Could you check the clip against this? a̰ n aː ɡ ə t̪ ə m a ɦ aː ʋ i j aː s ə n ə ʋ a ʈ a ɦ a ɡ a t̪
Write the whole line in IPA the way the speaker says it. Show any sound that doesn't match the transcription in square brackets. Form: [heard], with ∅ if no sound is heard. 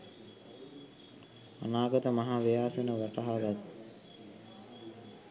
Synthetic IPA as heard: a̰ n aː ɡ ə t̪ ə m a ɦ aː ʋ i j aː s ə n ə ʋ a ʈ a ɦ a ɡ a t̪